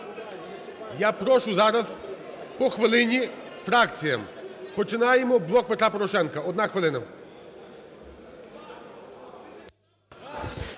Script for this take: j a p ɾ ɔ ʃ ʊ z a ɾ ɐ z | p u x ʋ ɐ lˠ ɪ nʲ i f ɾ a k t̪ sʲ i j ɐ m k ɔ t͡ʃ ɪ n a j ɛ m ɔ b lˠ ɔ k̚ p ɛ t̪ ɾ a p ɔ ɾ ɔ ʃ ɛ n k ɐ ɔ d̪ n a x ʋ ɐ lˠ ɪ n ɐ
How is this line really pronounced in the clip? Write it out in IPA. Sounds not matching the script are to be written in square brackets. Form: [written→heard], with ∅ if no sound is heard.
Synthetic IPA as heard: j a p ɾ ɔ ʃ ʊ z a ɾ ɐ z | p [u→ɔ] x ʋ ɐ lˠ ɪ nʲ i f ɾ a k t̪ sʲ i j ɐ m [k→p] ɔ t͡ʃ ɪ n a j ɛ m ɔ b lˠ ɔ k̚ p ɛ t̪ ɾ a p ɔ ɾ ɔ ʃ ɛ n k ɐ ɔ d̪ n a x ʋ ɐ lˠ ɪ n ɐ

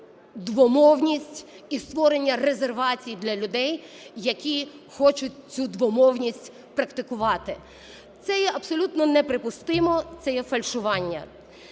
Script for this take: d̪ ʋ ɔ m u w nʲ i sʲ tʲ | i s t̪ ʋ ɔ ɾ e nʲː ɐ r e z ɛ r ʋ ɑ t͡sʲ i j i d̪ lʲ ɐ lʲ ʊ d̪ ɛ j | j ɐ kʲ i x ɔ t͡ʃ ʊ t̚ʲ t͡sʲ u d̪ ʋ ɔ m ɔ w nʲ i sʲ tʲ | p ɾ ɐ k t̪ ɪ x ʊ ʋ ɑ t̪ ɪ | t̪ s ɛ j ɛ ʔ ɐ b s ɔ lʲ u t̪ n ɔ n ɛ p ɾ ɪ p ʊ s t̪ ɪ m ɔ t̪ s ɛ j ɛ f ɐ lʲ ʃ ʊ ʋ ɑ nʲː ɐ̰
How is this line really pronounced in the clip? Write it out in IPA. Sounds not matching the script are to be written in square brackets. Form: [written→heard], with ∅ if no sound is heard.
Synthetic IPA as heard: d̪ ʋ ɔ m [u→ɔ] w nʲ i sʲ tʲ | i s t̪ ʋ ɔ ɾ e nʲː ɐ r e z [ɛ→e] r ʋ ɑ t͡sʲ i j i d̪ lʲ ɐ lʲ ʊ d̪ ɛ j | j ɐ kʲ i x ɔ t͡ʃ ʊ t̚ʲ t͡sʲ u d̪ ʋ ɔ m ɔ w nʲ i sʲ tʲ | p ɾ ɐ k t̪ ɪ [x→k] ʊ ʋ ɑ t̪ ɪ | t̪ s ɛ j ɛ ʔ ɐ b s ɔ lʲ u t̪ n ɔ n ɛ p ɾ ɪ p ʊ s t̪ ɪ m ɔ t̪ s ɛ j ɛ f ɐ lʲ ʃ ʊ ʋ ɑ nʲː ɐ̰

